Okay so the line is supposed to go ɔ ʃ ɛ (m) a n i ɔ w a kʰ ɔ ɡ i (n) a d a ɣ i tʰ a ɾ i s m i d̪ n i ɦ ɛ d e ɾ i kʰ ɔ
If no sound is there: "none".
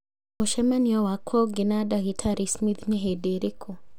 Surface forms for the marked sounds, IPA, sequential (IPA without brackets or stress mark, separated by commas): m, n